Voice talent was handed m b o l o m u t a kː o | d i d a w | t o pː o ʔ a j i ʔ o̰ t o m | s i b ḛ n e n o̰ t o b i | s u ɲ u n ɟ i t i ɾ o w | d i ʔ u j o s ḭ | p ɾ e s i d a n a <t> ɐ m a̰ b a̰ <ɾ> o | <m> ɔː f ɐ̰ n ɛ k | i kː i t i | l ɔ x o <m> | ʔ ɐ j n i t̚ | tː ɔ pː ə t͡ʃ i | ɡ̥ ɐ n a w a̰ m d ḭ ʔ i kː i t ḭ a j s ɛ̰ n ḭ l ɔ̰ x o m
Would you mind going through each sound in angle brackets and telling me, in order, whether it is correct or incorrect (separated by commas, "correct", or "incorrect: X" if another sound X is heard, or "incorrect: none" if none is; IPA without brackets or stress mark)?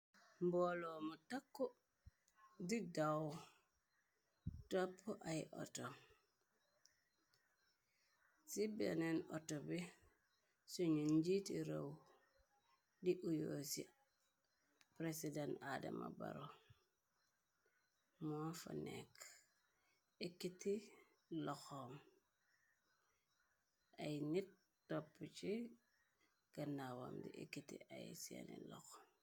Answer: incorrect: d, correct, correct, correct